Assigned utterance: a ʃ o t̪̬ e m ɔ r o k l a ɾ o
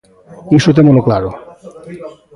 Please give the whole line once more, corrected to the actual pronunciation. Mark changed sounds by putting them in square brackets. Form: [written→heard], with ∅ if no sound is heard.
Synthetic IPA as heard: [a→i] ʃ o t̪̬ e m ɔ [r→l] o k l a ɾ o